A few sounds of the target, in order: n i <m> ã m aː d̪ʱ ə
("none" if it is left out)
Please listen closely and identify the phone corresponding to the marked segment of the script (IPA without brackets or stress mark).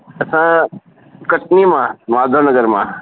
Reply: m